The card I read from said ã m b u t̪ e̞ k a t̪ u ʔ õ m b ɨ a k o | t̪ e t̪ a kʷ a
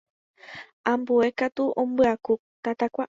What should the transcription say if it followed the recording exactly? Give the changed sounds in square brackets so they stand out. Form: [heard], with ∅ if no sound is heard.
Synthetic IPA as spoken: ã m b u [∅] e̞ k a t̪ u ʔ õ m b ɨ a k [u] | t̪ [a] t̪ a kʷ a